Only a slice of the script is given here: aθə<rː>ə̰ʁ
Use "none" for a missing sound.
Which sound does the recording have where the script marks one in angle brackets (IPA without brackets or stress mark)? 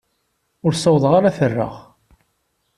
rː